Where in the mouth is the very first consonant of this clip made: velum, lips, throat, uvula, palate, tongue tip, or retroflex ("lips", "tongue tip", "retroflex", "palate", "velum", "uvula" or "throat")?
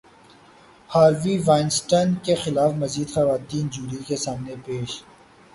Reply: throat